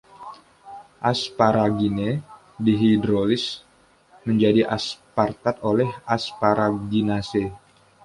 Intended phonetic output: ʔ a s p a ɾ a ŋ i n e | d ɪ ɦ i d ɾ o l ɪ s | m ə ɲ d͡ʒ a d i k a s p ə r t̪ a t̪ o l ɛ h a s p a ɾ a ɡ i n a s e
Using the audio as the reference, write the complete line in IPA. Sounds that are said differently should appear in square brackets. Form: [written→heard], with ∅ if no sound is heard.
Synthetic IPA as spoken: ʔ a s p a ɾ a [ŋ→ɡ] i n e | d [ɪ→i] ɦ i d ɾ o l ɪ s | m ə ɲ d͡ʒ a d i [k→ʔ] a s p [ə→a] r t̪ a t̪ o l ɛ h a s p a ɾ a ɡ i n a s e